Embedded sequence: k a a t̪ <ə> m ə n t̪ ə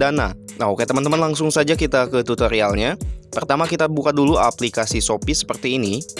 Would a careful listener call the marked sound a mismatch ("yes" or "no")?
no